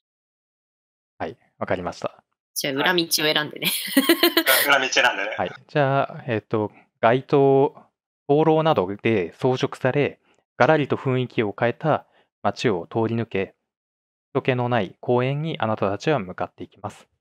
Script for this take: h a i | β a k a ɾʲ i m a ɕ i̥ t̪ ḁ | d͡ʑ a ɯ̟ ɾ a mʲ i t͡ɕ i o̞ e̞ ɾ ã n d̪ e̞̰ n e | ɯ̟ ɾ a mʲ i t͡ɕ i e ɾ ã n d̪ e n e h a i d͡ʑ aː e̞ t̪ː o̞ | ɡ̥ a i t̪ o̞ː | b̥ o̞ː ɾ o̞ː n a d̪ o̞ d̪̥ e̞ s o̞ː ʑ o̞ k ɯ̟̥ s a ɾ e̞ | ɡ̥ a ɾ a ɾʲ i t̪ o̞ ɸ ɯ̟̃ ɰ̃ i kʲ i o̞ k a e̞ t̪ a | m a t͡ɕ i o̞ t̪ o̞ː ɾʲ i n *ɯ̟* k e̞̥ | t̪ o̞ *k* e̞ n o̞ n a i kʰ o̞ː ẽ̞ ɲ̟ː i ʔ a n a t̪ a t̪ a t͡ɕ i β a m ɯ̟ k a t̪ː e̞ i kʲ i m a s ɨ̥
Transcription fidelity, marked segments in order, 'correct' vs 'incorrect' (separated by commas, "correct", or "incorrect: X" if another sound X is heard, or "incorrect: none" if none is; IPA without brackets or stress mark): correct, correct